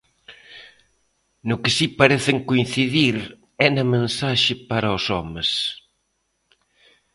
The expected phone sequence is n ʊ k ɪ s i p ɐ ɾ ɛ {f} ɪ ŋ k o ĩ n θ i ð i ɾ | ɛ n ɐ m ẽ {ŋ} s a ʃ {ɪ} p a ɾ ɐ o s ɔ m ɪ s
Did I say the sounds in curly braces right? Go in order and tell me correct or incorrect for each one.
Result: incorrect: θ, incorrect: n, correct

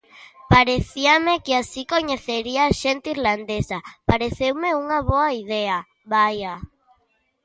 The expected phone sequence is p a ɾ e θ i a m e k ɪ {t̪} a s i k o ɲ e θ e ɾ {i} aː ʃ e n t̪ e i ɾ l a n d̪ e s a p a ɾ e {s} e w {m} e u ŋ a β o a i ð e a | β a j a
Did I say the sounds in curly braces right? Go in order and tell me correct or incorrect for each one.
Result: incorrect: none, correct, incorrect: θ, correct

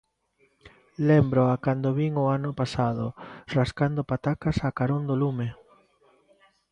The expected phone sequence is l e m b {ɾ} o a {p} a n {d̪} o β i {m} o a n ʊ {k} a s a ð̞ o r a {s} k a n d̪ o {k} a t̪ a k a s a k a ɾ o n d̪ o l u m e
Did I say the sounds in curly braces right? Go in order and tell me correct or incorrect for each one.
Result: correct, incorrect: k, correct, incorrect: ŋ, incorrect: p, correct, incorrect: p

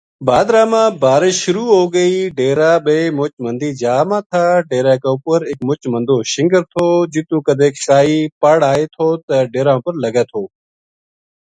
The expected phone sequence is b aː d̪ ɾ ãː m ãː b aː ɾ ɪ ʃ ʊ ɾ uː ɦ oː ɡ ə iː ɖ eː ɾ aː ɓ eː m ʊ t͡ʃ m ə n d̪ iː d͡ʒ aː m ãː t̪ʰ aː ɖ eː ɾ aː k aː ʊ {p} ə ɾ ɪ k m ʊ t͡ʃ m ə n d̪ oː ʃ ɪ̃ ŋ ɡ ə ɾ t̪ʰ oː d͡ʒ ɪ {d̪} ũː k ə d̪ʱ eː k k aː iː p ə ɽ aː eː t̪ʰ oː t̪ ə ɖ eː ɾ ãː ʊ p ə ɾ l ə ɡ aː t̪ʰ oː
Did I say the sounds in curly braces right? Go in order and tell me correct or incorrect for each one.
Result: correct, incorrect: t̪

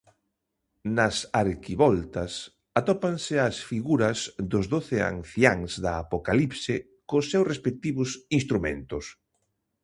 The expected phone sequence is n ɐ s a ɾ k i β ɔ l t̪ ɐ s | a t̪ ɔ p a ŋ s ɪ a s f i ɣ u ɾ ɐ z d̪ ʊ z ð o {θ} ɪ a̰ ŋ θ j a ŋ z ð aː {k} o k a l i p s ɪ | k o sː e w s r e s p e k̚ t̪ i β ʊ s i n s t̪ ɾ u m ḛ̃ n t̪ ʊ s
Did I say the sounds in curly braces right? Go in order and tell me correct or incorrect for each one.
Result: correct, incorrect: p

